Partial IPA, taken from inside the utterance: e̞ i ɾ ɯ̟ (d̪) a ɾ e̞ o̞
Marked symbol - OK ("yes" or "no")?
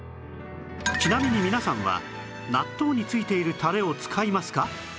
no